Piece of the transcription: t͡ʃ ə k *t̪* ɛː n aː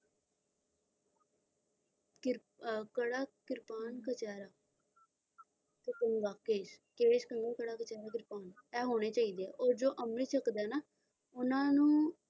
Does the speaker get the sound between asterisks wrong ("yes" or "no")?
yes